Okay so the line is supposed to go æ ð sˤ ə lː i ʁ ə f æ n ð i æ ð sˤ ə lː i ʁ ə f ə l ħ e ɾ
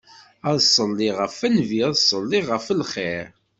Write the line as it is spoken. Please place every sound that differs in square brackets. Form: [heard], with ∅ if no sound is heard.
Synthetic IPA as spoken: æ ð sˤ ə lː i ʁ ə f æ n [v] i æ ð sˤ ə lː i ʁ ə f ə l [χ] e ɾ